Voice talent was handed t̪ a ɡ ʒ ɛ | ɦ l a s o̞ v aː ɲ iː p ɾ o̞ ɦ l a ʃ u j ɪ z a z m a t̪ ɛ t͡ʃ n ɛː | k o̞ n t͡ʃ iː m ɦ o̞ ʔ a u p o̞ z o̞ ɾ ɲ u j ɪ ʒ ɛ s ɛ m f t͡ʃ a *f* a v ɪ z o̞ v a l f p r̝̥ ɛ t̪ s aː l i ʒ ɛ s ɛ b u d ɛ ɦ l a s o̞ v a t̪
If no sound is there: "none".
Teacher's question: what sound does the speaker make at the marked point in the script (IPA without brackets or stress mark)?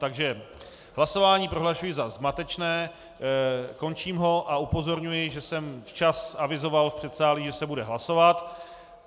s